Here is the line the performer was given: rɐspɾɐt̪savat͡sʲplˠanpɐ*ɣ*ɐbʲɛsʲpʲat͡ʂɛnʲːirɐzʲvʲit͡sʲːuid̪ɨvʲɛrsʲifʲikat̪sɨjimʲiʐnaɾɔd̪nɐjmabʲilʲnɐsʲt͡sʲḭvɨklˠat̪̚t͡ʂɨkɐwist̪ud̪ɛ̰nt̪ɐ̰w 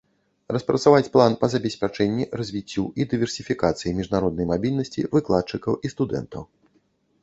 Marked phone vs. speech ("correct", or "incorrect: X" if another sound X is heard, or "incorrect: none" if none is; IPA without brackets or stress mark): incorrect: z